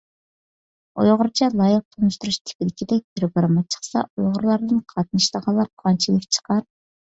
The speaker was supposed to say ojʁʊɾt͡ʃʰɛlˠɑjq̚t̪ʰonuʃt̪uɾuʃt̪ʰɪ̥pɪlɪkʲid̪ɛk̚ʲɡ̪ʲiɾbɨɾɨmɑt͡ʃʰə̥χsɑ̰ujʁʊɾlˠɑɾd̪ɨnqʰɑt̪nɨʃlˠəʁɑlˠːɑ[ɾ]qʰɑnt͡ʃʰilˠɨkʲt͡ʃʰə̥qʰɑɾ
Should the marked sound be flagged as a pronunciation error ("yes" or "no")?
no